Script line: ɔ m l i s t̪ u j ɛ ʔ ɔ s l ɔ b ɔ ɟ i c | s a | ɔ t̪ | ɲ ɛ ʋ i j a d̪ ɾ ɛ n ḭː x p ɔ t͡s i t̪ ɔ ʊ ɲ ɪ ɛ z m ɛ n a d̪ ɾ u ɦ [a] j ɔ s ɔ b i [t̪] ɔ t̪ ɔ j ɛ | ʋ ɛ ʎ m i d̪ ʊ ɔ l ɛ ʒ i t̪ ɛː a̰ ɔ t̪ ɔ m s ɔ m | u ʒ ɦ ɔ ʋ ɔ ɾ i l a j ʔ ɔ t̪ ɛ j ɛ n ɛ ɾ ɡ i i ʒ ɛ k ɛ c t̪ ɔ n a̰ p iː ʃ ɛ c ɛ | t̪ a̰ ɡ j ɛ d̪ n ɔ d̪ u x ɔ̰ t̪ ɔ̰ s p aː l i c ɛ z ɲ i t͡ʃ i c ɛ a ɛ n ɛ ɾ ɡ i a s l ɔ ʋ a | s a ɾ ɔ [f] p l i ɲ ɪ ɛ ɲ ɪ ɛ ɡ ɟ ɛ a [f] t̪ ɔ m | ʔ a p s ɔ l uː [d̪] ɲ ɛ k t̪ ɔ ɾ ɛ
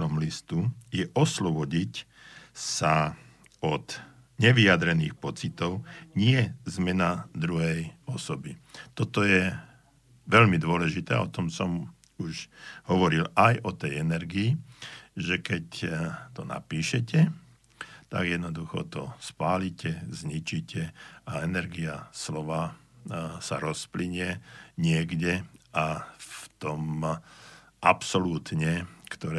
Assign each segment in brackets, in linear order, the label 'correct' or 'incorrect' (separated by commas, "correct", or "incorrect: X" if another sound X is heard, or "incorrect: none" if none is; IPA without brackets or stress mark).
incorrect: ɛ, correct, incorrect: s, correct, incorrect: t̪